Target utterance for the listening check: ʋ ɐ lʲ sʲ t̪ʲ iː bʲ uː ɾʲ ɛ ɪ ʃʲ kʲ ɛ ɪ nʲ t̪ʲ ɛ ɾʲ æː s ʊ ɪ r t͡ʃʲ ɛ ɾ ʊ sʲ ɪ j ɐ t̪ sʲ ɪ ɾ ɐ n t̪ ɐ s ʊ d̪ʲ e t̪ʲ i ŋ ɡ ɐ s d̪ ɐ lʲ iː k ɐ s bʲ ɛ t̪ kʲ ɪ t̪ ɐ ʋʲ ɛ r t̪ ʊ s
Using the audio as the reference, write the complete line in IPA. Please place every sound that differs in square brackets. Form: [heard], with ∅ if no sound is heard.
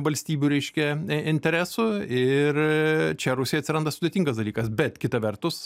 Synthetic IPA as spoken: ʋ ɐ lʲ sʲ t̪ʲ iː bʲ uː ɾʲ ɛ ɪ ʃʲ kʲ ɛ ɪ nʲ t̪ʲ ɛ ɾʲ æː s ʊ ɪ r t͡ʃʲ ɛ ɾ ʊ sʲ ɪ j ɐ t̪ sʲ ɪ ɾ ɐ n [d̪] ɐ s ʊ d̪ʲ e t̪ʲ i ŋ ɡ ɐ s d̪ ɐ lʲ iː k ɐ s bʲ ɛ t̪ kʲ ɪ t̪ ɐ ʋʲ ɛ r t̪ ʊ s